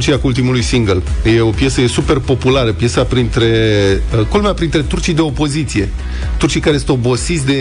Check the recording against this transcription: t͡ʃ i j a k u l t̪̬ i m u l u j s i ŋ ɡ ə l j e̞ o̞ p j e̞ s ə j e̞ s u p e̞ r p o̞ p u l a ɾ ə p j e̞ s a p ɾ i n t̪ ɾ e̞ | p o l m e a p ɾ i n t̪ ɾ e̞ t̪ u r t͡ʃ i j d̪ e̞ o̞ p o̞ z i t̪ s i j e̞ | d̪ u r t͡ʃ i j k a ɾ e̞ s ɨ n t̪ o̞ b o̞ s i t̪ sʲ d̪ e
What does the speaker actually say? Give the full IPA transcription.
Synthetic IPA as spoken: t͡ʃ i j a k u l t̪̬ i m u l u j s i ŋ ɡ ə l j e̞ o̞ p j e̞ s ə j e̞ s u p e̞ r p o̞ p u l a ɾ ə p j e̞ s a p ɾ i n t̪ ɾ e̞ | k o l m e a p ɾ i n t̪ ɾ e̞ t̪ u r t͡ʃ i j d̪ e̞ o̞ p o̞ z i t̪ s i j e̞ | t̪ u r t͡ʃ i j k a ɾ e̞ s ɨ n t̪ o̞ b o̞ s i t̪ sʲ d̪ e